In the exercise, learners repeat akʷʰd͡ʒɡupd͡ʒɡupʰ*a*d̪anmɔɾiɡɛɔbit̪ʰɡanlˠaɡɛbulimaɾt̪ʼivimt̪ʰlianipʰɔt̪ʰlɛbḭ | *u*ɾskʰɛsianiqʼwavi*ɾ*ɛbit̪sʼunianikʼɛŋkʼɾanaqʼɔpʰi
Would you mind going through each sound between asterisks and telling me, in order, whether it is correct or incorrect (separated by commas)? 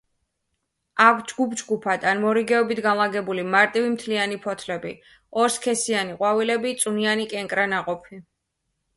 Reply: correct, incorrect, incorrect